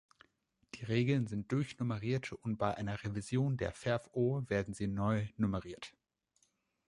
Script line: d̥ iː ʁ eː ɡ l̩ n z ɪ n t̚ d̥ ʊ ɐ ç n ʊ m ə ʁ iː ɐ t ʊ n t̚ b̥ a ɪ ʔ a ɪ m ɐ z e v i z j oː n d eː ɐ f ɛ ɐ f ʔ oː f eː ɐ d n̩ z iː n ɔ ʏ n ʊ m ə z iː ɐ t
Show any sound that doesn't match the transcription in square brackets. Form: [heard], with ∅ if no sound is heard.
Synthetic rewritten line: d̥ iː ʁ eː ɡ l̩ n z ɪ n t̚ d̥ ʊ ɐ ç n ʊ m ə ʁ iː ɐ t ʊ n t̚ b̥ a ɪ ʔ a ɪ [n] ɐ [ʁ] e v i z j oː n d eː ɐ f ɛ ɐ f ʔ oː [v] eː ɐ d n̩ z iː n ɔ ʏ n ʊ m ə [ʁ] iː ɐ t